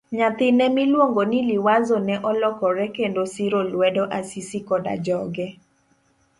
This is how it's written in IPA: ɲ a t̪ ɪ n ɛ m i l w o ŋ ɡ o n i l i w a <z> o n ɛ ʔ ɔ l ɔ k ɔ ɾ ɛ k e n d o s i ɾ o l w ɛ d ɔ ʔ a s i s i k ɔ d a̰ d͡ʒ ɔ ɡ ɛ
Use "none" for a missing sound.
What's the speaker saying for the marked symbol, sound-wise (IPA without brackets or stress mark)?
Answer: z